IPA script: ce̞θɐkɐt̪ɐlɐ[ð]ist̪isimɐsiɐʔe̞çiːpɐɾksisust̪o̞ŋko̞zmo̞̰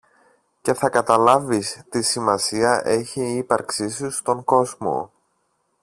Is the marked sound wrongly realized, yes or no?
yes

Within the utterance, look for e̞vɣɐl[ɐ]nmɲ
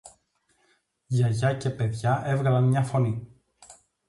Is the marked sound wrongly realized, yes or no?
no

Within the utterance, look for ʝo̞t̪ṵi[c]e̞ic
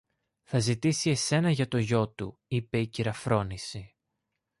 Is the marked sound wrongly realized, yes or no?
yes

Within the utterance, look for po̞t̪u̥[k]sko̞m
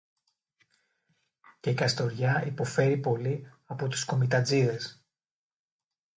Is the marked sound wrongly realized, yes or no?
yes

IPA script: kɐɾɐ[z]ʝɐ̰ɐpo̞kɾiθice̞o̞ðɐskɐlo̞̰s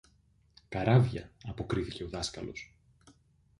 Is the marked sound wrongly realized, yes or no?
yes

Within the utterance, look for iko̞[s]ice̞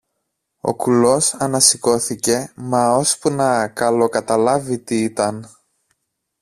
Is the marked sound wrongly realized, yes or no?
yes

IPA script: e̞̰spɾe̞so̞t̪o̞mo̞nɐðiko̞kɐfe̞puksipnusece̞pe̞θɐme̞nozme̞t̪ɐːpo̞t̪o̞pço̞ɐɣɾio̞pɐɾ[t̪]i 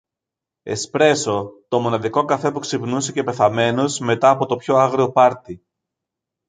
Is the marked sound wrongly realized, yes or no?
no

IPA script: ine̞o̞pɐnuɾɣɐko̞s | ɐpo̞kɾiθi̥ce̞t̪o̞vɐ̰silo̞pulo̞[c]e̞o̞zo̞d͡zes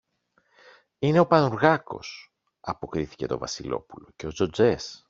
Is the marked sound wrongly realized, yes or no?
no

